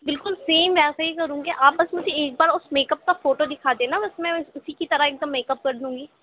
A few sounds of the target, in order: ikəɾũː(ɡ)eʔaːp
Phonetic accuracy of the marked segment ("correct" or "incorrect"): correct